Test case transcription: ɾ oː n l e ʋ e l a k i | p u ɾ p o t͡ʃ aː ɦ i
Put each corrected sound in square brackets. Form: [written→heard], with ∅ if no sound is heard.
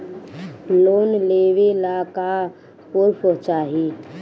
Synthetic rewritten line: [ɾ→l] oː n l e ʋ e l a k [i→a] | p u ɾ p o t͡ʃ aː ɦ i

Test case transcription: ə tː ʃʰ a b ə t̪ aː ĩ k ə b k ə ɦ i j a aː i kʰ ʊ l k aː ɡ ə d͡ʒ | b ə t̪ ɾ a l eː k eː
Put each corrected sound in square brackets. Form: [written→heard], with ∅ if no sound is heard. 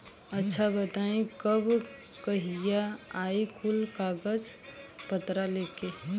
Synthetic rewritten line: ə tː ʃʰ a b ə t̪ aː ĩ k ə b k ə ɦ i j a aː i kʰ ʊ l k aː ɡ ə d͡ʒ | [b→p] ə t̪ ɾ a l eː k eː

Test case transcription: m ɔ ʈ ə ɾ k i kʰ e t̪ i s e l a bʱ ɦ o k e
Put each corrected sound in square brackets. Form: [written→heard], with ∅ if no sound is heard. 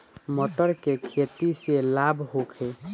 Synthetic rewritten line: m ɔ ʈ ə ɾ k [i→e] kʰ e t̪ i s e l a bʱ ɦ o [k→kʰ] e

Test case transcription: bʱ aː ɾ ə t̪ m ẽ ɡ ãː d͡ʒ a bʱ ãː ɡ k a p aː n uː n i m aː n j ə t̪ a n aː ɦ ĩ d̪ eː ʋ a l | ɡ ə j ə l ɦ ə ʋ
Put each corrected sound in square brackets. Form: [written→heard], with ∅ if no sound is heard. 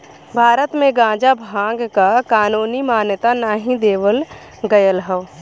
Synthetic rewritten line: bʱ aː ɾ ə t̪ m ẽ ɡ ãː d͡ʒ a bʱ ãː ɡ k a [p→k] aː n uː n i m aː n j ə t̪ a n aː ɦ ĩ d̪ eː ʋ [a→ə] l | ɡ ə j ə l ɦ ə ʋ

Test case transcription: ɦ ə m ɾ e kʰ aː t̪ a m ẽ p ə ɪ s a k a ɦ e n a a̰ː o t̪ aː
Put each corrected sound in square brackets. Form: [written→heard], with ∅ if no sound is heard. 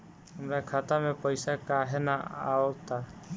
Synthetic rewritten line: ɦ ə m ɾ [e→a] kʰ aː t̪ a m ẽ p ə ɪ s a k a ɦ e n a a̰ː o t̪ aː

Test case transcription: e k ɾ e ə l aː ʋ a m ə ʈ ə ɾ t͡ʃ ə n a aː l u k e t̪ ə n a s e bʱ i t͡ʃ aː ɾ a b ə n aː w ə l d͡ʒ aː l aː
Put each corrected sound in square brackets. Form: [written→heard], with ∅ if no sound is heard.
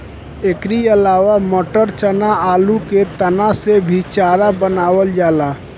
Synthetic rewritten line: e k ɾ [e→i] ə l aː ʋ a m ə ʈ ə ɾ t͡ʃ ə n a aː l u k e t̪ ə n a s e bʱ i t͡ʃ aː ɾ a b ə n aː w ə l d͡ʒ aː l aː

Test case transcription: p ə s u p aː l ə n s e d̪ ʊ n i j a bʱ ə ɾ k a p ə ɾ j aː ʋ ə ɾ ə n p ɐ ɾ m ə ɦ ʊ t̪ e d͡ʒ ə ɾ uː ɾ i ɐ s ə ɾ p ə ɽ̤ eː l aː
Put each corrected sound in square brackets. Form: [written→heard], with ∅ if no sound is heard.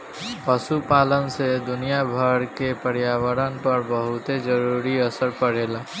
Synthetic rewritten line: p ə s u p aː l ə n s e d̪ ʊ n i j a bʱ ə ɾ k [a→e] p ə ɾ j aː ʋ ə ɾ ə n p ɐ ɾ [m→b] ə ɦ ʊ t̪ e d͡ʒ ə ɾ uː ɾ i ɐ s ə ɾ p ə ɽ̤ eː l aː

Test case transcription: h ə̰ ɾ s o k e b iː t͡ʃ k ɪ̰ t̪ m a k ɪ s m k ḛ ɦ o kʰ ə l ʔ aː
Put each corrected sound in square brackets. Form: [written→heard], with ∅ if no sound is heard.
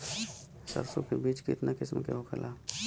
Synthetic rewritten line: [h→s] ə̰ ɾ s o k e b iː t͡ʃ k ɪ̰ t̪ [m→n] a k ɪ s m k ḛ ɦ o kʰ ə l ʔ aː

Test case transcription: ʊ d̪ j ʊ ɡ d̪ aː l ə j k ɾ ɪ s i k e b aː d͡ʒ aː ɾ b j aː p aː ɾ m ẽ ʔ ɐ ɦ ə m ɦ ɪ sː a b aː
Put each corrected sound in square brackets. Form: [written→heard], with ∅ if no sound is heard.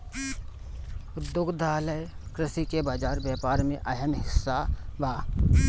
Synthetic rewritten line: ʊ d̪ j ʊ ɡ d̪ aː l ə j k ɾ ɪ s i k e b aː d͡ʒ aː ɾ b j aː p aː ɾ m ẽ ʔ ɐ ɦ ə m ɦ ɪ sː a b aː

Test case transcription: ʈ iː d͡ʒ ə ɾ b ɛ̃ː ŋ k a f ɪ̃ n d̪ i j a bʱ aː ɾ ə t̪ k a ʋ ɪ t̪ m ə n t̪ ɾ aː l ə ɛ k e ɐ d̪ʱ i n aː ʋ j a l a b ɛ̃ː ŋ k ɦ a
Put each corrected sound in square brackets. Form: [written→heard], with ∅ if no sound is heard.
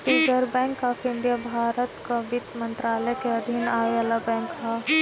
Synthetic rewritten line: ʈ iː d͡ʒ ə ɾ b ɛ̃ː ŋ k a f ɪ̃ n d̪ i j a bʱ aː ɾ ə t̪ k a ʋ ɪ t̪ m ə n t̪ ɾ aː l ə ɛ k e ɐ d̪ʱ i n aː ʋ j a l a b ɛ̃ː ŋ k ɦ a

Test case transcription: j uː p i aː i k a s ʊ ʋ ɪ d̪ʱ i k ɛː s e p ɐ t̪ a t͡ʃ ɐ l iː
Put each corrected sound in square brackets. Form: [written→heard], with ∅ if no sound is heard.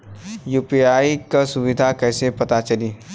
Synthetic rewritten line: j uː p i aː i k a s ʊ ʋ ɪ d̪ʱ [i→a] k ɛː s e p ɐ t̪ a t͡ʃ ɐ l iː

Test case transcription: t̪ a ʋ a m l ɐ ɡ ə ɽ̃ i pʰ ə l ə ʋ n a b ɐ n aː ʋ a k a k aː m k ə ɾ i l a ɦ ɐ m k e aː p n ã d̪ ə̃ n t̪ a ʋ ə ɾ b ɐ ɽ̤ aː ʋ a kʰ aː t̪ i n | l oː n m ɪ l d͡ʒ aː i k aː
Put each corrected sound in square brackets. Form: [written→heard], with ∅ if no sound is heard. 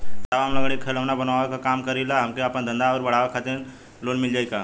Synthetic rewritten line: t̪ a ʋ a m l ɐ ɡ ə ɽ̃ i [pʰ→kʰ] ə l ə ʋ n a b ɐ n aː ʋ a k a k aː m k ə ɾ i l a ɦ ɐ m k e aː p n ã d̪ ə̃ n [t̪→d̪] a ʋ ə ɾ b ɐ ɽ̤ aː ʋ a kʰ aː t̪ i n | l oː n m ɪ l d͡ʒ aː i k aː

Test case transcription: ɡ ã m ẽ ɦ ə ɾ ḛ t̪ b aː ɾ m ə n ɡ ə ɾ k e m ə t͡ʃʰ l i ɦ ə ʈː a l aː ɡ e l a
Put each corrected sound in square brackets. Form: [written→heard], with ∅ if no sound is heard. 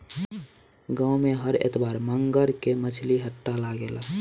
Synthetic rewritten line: ɡ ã m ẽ ɦ ə ɾ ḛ t̪ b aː ɾ m ə [n→ŋ] ɡ ə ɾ k e m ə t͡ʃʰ l i ɦ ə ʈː a l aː ɡ e l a

